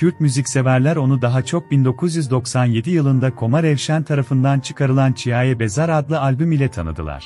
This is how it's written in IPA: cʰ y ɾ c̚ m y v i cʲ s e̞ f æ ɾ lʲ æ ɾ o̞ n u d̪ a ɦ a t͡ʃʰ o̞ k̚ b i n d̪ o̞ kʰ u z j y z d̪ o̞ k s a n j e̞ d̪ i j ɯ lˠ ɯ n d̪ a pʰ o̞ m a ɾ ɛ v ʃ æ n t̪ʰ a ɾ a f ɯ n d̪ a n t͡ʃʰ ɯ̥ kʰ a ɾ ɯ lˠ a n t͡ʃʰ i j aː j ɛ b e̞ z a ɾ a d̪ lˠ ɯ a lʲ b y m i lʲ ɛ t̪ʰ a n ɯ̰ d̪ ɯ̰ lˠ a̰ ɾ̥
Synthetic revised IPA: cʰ y ɾ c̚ m y z i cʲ s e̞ v æ ɾ lʲ æ ɾ o̞ n u d̪ a ɦ a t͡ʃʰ o̞ k̚ b i n d̪ o̞ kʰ u z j y z d̪ o̞ k s a n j e̞ d̪ i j ɯ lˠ ɯ n d̪ a kʰ o̞ m a ɾ ɛ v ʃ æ n t̪ʰ a ɾ a f ɯ n d̪ a n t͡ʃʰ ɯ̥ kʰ a ɾ ɯ lˠ a n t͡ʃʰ i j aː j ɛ b e̞ z a ɾ a d̪ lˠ ɯ a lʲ b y m i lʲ ɛ t̪ʰ a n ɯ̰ d̪ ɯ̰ lˠ a̰ ɾ̥

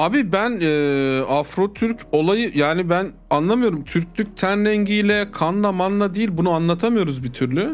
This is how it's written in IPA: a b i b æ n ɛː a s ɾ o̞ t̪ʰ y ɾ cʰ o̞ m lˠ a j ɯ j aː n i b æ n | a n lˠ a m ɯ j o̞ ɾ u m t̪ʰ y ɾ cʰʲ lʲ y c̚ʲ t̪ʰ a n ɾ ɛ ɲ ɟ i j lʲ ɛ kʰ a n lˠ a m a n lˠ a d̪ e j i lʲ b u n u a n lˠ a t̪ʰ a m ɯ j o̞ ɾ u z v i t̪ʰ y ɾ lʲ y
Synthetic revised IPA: a b i b æ n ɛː a f ɾ o̞ t̪ʰ y ɾ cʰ o̞ lˠ a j ɯ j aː n i b æ n | a n lˠ a m ɯ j o̞ ɾ u m t̪ʰ y ɾ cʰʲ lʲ y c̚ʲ t̪ʰ æ n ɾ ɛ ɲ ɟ i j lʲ ɛ kʰ a n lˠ a m a n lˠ a d̪ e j i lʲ b u n u a n lˠ a t̪ʰ a m ɯ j o̞ ɾ u z b i t̪ʰ y ɾ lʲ y

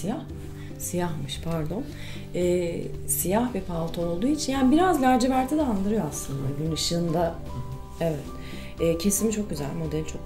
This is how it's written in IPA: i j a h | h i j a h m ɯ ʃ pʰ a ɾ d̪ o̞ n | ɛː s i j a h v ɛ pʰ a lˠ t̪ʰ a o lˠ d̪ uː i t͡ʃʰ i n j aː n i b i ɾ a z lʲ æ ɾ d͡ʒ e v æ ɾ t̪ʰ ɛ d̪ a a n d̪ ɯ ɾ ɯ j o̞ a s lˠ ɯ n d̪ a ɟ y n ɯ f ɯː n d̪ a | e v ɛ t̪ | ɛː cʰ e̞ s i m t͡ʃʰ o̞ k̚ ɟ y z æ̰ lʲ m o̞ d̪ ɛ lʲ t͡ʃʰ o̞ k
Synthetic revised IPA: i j a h | s i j a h m ɯ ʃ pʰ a ɾ d̪ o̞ n | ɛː s i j a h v ɛ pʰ a lˠ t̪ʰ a o lˠ d̪ uː i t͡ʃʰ i n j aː n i b i ɾ a z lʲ æ ɾ d͡ʒ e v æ ɾ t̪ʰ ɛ d̪ ɛ a n d̪ ɯ ɾ ɯ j o̞ a s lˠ ɯ n d̪ a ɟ y n ɯ ʃ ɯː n d̪ a | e v ɛ t̪ | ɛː cʰ e̞ s i m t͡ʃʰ o̞ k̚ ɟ y z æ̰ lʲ m o̞ d̪ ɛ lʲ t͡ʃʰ o̞ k

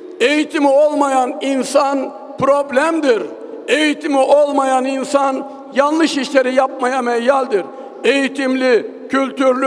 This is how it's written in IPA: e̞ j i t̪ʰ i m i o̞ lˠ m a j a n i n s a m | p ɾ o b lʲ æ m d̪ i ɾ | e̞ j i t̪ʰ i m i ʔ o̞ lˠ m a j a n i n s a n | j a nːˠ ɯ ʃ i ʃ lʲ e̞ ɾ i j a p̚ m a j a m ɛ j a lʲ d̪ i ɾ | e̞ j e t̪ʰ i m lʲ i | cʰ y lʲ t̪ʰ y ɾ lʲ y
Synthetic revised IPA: e̞ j i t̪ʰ i m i o̞ lˠ m a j a n i n s a n | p ɾ o b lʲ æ m d̪ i ɾ | e̞ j i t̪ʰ i m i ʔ o̞ lˠ m a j a n i n s a n | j a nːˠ ɯ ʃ i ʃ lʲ e̞ ɾ i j a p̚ m a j a m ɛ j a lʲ d̪ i ɾ | e̞ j i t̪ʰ i m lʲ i | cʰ y lʲ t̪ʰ y ɾ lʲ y

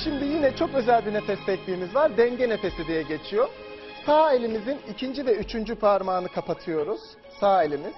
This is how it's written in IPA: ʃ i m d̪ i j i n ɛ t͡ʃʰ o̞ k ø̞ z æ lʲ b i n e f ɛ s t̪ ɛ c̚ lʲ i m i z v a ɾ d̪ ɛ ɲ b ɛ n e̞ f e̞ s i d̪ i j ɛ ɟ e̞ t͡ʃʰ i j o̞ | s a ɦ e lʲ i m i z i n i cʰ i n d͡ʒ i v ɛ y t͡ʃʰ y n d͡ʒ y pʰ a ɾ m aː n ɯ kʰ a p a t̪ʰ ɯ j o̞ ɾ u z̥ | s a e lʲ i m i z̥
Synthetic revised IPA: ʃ i m d̪ i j i n ɛ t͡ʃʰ o̞ k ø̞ z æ lʲ b i n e f ɛ s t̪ ɛ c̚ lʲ iː m i z v a ɾ d̪ ɛ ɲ ɟ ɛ n e̞ f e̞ s i d̪ i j ɛ ɟ e̞ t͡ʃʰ i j o̞ | s a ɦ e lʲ i m i z i n i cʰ i n d͡ʒ i v ɛ y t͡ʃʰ y n d͡ʒ y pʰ a ɾ m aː n ɯ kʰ a p a t̪ʰ ɯ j o̞ ɾ u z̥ | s a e lʲ i m i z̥

